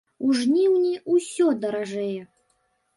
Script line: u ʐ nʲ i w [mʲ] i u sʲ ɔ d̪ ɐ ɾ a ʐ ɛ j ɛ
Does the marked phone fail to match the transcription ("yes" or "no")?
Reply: yes